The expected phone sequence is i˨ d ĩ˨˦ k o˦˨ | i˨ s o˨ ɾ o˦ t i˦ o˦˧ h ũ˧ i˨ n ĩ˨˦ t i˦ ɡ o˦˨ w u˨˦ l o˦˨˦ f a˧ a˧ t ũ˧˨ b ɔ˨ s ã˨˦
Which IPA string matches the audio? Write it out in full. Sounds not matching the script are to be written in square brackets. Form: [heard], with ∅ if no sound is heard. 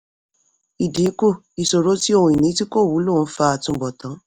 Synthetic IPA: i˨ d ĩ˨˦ k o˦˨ | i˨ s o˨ ɾ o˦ t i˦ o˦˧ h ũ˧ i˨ n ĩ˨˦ t i˦ [k] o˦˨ w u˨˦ l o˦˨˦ f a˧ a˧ t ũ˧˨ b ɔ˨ [t] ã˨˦